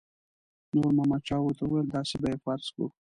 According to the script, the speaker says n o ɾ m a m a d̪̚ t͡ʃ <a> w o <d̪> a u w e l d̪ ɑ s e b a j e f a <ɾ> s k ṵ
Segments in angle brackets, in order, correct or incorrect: incorrect: ɑ, incorrect: t̪, correct

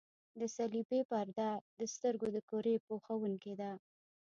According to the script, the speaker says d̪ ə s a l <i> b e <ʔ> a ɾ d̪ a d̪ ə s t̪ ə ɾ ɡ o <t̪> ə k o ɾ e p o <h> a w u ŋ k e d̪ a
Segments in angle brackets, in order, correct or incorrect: correct, incorrect: p, incorrect: d̪, incorrect: x

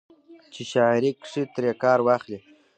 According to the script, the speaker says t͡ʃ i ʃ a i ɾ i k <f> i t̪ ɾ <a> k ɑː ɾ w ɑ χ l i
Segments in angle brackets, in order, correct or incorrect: incorrect: ʂ, incorrect: e

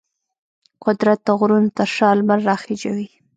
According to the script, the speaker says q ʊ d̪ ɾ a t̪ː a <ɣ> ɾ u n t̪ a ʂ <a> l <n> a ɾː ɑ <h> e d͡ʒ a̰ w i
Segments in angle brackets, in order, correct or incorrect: correct, incorrect: ɑ, incorrect: m, incorrect: x

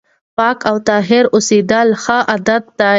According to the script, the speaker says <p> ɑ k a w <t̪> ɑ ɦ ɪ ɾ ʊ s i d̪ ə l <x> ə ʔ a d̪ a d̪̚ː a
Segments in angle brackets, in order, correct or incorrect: correct, correct, correct

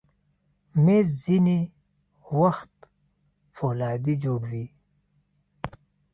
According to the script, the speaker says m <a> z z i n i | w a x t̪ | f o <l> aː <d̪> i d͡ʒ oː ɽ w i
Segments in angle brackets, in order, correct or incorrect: incorrect: e, correct, correct

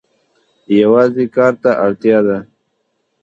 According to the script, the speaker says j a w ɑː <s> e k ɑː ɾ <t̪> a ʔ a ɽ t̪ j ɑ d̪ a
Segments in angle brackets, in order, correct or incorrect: incorrect: z, correct

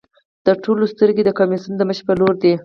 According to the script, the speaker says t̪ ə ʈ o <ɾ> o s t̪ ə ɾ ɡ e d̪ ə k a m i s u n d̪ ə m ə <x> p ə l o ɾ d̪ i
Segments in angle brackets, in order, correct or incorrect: incorrect: l, incorrect: ʃ

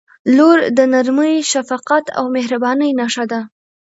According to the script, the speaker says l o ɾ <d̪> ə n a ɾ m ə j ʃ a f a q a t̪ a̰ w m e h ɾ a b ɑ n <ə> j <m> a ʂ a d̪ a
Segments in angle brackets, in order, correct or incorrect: correct, correct, incorrect: n

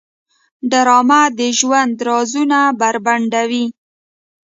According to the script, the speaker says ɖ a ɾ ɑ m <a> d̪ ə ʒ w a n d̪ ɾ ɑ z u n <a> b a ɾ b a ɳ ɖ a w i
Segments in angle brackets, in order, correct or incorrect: correct, correct

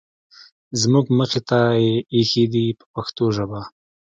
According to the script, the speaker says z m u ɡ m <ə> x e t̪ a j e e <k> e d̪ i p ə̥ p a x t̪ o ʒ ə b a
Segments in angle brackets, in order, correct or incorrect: correct, incorrect: x

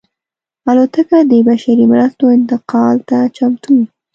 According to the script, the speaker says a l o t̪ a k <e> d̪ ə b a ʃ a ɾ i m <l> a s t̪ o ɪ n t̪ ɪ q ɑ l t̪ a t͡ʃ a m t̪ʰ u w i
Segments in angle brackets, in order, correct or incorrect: incorrect: a, incorrect: ɾ

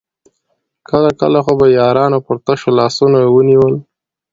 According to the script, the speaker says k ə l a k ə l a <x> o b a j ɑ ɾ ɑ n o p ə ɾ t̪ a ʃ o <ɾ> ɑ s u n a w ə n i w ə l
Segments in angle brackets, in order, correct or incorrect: correct, incorrect: l

